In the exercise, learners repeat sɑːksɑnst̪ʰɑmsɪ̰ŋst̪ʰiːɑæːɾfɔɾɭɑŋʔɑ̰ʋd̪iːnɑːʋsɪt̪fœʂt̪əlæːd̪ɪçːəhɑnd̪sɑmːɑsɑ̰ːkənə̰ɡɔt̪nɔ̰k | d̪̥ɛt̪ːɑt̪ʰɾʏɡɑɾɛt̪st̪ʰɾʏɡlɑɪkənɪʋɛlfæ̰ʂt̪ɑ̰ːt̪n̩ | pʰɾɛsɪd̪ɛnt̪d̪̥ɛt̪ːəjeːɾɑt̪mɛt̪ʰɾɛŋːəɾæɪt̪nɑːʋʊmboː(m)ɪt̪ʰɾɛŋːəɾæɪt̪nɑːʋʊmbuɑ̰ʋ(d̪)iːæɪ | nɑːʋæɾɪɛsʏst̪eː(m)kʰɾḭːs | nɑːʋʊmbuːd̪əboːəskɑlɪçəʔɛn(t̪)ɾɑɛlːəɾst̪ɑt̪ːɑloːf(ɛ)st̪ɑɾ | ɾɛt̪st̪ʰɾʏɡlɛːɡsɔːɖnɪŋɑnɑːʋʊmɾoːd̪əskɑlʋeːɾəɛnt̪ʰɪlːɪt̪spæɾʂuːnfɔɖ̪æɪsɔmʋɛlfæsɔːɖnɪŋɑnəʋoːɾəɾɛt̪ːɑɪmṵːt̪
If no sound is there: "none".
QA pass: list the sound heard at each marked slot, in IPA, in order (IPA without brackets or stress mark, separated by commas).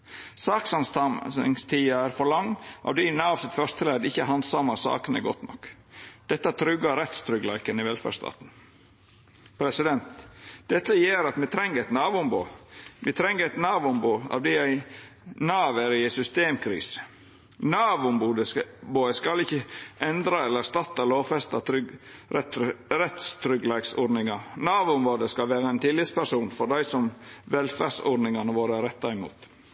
m, d̪, m, d̪, ɛ